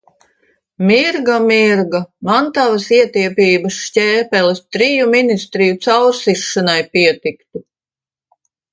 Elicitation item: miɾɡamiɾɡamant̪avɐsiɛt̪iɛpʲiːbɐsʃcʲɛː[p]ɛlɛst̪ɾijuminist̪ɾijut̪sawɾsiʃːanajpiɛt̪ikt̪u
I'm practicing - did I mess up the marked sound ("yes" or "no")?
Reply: no